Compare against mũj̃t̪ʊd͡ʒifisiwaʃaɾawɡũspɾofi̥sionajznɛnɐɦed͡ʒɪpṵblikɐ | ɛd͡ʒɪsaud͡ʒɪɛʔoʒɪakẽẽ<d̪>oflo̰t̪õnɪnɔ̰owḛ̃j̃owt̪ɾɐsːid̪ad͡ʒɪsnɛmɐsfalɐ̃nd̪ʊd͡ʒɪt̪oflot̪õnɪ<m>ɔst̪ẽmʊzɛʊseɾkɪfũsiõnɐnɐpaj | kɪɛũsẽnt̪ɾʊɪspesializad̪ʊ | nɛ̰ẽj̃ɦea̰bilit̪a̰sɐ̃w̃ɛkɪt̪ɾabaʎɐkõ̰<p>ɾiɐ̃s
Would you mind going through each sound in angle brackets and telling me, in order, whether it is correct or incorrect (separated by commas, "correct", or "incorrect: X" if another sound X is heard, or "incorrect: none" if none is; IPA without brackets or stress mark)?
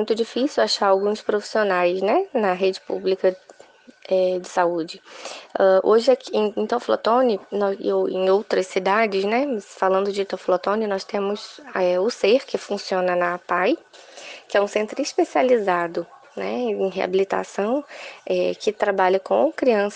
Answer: incorrect: t̪, incorrect: n, incorrect: k